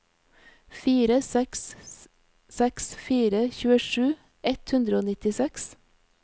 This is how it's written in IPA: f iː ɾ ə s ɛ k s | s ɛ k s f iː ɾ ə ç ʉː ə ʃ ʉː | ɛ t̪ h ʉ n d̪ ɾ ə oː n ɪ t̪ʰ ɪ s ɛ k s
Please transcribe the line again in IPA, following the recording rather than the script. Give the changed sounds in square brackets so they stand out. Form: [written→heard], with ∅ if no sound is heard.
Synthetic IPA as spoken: f iː ɾ ə s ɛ k s | s ɛ k s f iː ɾ ə ç ʉː ə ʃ ʉː | ɛ t̪ h ʉ n d̪ ɾ ə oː n ɪ [t̪ʰ→t̪] ɪ s ɛ k s